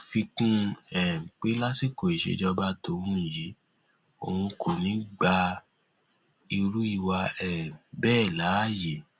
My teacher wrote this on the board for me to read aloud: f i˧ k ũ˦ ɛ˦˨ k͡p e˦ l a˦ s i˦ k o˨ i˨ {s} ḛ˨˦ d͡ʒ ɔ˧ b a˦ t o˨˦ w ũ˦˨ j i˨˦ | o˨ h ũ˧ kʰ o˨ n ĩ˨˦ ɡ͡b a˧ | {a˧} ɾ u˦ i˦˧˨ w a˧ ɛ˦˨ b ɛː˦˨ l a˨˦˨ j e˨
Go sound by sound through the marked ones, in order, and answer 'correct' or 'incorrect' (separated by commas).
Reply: incorrect, incorrect